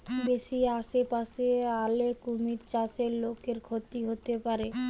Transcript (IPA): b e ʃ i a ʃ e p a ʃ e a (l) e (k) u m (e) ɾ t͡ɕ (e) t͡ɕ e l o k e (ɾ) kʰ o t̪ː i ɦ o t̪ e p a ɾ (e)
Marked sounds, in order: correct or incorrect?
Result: correct, correct, incorrect: i, incorrect: a, correct, correct

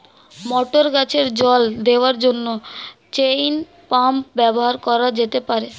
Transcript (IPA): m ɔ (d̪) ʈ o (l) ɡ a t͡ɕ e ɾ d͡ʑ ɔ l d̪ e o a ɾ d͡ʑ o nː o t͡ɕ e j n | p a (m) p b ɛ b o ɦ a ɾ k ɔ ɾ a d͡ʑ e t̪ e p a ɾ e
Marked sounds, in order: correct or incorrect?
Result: incorrect: none, incorrect: ɾ, correct

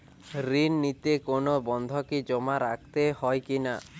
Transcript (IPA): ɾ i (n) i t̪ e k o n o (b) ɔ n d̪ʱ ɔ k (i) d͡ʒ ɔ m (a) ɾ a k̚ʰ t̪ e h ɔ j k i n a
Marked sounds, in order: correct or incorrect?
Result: incorrect: nː, correct, correct, correct

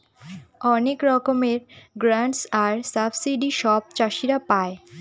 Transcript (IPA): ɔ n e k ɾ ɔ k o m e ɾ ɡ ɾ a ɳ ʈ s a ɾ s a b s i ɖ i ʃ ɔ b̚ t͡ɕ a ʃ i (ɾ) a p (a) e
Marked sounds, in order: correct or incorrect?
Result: correct, correct

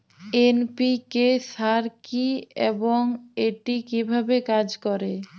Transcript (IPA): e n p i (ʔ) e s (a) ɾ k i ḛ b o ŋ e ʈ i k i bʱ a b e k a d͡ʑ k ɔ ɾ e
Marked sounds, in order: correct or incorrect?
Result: incorrect: k, correct

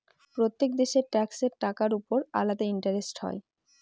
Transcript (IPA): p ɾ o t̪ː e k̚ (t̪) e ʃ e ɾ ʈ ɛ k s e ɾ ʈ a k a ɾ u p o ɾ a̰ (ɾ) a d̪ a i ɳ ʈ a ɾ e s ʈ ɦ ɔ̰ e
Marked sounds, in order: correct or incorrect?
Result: incorrect: d̪, incorrect: l

